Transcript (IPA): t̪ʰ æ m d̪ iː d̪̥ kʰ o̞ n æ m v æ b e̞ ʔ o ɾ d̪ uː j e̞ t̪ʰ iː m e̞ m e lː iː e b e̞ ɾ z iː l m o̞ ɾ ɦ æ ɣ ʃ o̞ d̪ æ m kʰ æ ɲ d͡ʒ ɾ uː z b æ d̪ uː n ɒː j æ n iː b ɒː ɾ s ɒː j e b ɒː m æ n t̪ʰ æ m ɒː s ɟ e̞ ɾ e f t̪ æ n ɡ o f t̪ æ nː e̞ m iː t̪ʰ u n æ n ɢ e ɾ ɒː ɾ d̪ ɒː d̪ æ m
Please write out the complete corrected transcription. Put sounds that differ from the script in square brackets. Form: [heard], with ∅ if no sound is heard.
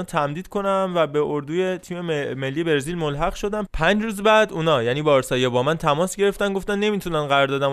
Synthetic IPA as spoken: t̪ʰ æ m d̪ iː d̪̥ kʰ o̞ n æ m v æ b e̞ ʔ o ɾ d̪ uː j e̞ t̪ʰ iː m e̞ m e lː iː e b e̞ ɾ z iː l m o̞ [l] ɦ æ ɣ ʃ o̞ d̪ æ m [pʰ] æ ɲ d͡ʒ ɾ uː z b æ d̪ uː n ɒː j æ n iː b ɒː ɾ s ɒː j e b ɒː m æ n t̪ʰ æ m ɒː s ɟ e̞ ɾ e f t̪ æ n ɡ o f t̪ æ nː e̞ m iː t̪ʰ u n æ n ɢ [æ] ɾ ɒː ɾ d̪ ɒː d̪ æ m